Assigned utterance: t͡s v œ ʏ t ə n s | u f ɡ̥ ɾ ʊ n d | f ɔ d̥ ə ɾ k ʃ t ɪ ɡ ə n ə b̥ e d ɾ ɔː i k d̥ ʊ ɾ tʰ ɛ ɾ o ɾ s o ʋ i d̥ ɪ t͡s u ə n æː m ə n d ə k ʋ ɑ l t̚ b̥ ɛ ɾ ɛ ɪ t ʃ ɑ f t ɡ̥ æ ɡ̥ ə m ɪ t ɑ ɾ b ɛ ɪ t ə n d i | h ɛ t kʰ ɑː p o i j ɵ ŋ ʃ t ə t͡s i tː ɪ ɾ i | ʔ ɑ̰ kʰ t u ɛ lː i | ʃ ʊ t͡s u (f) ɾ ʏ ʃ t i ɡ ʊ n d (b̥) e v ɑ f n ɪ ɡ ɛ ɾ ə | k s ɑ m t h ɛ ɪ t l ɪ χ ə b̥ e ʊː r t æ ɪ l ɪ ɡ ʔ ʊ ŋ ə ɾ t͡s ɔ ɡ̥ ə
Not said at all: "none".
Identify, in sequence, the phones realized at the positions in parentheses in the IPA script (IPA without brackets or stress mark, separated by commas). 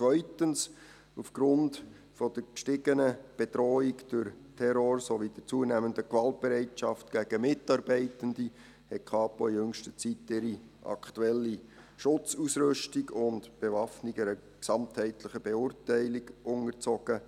s, b̥